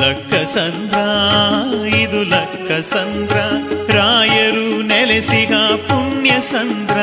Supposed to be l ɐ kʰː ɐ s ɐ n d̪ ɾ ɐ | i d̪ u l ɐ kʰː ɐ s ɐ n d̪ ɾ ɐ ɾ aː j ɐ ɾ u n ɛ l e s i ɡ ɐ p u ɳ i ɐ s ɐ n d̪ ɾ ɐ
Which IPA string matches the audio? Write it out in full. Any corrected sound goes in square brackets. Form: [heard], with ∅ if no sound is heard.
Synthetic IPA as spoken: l ɐ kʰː ɐ s ɐ n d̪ ɾ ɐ | i d̪ u l ɐ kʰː ɐ s ɐ n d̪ ɾ ɐ ɾ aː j ɐ ɾ u n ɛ l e s i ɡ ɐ p u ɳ [j] ɐ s ɐ n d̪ ɾ ɐ